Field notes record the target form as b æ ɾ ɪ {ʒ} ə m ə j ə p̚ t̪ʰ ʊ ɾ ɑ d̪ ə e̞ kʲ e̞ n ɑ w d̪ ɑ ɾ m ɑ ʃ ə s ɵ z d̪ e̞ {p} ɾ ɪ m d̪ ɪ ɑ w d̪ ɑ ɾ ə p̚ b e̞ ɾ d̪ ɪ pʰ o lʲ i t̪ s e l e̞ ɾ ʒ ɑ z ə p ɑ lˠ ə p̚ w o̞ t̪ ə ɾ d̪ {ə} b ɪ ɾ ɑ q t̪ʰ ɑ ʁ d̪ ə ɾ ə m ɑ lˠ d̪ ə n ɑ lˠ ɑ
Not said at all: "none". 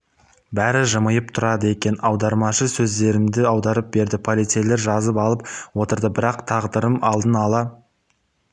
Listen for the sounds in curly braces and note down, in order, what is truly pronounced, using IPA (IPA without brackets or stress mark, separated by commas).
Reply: ʒ, none, ə